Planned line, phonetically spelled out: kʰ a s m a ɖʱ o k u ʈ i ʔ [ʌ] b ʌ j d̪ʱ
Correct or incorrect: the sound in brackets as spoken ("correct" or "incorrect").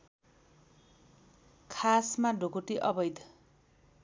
correct